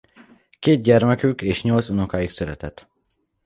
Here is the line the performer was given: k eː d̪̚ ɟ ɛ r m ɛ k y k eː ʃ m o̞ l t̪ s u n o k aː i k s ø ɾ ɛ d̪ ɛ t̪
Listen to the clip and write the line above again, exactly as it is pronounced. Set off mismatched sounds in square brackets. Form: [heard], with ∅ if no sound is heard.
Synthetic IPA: k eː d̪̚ ɟ ɛ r m ɛ k y k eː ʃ [ɲ] o̞ l t̪ s u n o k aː i k s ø ɾ ɛ [t̪] ɛ t̪